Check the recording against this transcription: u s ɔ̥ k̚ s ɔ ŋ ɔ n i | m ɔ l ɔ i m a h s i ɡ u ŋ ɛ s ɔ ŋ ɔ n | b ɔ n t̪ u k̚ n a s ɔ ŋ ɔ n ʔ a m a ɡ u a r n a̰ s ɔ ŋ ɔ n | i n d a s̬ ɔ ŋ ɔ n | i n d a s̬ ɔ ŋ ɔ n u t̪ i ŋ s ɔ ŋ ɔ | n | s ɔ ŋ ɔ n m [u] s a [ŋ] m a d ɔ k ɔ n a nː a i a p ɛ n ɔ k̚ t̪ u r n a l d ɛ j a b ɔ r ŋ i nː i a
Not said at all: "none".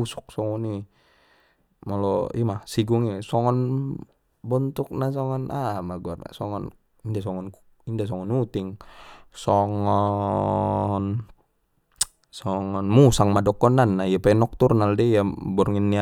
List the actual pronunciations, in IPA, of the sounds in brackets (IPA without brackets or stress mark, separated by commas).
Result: u, ŋ